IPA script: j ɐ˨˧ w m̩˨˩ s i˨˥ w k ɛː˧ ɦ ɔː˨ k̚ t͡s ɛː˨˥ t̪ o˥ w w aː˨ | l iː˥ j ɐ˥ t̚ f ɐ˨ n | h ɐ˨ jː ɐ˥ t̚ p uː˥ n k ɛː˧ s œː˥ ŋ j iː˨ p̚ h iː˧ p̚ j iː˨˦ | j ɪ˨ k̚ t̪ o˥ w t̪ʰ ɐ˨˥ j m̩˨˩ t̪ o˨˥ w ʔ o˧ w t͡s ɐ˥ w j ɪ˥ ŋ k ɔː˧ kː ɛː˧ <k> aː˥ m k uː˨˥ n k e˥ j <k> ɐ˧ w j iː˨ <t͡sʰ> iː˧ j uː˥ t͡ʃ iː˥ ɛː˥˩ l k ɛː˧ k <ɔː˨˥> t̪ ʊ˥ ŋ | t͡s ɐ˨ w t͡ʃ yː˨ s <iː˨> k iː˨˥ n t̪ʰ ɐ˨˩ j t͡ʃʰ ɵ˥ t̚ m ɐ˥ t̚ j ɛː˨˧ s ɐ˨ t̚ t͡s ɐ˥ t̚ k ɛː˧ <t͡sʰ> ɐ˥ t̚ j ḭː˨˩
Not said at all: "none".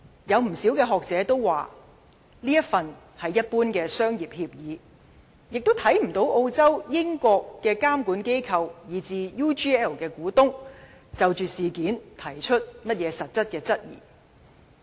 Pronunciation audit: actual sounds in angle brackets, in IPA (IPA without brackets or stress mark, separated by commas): k, kʰ, t͡s, uː˨˥, iː˨, t͡s